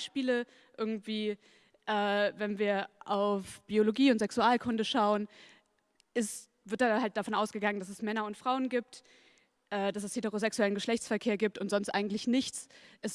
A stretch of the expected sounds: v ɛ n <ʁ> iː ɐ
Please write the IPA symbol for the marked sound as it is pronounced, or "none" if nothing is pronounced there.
v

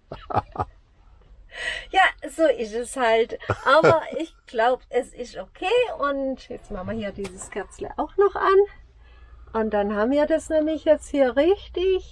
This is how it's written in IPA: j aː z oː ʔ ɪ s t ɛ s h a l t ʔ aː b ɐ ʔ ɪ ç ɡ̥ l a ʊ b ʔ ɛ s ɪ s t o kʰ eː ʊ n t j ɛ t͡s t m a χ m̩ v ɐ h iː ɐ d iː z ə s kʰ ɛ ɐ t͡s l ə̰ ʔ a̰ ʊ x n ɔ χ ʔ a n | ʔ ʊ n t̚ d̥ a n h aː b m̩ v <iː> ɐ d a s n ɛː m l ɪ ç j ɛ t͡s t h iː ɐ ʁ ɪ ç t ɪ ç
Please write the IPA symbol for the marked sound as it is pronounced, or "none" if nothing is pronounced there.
iː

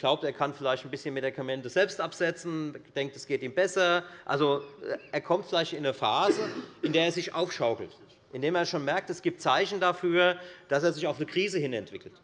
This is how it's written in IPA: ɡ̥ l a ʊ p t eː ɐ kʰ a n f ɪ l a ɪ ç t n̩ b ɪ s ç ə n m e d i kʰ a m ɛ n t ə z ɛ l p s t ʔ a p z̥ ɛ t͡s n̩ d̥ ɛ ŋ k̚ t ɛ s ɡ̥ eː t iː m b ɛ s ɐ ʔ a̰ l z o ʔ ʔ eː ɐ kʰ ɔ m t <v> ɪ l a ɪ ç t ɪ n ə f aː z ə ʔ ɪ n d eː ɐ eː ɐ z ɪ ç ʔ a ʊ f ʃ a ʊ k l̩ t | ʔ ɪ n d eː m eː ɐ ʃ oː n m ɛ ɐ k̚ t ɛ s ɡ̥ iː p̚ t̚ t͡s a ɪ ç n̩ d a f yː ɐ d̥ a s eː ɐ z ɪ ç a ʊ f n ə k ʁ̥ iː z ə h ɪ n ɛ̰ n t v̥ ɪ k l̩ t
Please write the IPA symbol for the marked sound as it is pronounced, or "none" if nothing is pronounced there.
f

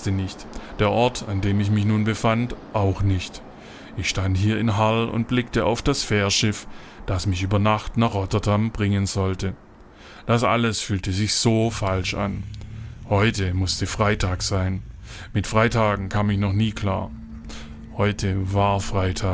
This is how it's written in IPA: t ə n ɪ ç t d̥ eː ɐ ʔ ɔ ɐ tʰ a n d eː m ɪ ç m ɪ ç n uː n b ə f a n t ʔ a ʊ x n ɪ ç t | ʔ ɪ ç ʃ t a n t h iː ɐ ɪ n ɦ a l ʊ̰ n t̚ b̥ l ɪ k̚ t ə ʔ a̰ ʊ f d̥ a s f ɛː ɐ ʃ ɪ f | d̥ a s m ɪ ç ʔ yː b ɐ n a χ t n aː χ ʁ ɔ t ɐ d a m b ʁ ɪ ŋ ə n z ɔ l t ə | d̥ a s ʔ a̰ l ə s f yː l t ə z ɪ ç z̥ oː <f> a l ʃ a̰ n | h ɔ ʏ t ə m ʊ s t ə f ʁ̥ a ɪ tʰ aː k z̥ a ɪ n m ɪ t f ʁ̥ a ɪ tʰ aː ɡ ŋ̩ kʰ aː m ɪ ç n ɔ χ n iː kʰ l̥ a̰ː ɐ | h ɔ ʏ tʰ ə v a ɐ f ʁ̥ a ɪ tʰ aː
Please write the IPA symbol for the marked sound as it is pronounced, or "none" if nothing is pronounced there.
f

